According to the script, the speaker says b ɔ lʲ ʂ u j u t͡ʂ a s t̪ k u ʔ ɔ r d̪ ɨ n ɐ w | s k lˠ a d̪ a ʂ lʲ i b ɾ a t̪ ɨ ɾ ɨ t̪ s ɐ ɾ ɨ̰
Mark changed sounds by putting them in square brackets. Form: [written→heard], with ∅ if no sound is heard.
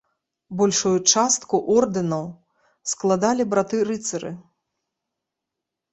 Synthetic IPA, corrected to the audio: b ɔ lʲ ʂ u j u t͡ʂ a s t̪ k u ʔ ɔ r d̪ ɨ n ɐ w | s k lˠ a d̪ a [ʂ→∅] lʲ i b ɾ a t̪ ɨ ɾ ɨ t̪ s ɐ ɾ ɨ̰